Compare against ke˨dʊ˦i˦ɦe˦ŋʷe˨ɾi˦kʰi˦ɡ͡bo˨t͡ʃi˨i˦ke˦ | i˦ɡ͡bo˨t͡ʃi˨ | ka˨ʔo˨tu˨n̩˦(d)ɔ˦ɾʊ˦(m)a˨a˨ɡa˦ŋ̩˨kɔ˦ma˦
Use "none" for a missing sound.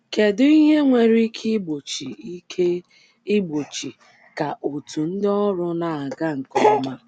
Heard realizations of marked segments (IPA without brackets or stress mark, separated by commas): d, n